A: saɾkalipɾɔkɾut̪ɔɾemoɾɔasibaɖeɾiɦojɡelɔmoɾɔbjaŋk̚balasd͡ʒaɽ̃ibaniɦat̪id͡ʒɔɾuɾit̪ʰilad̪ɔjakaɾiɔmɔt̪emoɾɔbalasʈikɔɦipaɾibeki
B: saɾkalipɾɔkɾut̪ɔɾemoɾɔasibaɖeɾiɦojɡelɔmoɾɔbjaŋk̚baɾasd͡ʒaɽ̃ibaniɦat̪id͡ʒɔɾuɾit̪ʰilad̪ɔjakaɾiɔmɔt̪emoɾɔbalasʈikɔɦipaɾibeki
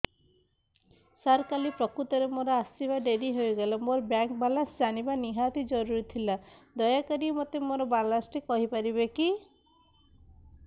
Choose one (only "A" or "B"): A